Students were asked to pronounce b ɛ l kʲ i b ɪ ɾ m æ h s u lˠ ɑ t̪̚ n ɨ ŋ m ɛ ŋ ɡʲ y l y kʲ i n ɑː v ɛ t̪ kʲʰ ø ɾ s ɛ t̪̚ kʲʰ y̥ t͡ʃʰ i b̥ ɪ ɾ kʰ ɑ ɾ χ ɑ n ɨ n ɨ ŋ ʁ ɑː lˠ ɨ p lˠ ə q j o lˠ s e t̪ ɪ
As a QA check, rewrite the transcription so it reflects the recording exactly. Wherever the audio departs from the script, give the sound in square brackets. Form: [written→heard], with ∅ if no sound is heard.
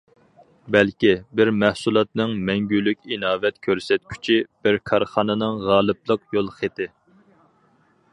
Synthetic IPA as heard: b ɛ l kʲ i b ɪ ɾ m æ h s u lˠ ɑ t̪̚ n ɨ ŋ m ɛ ŋ ɡʲ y l y kʲ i n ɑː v ɛ t̪ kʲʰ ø ɾ s ɛ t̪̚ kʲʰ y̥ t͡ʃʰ i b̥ ɪ ɾ kʰ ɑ ɾ χ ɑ n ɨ n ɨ ŋ ʁ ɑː lˠ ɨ p lˠ ə q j o lˠ [s→χ] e t̪ ɪ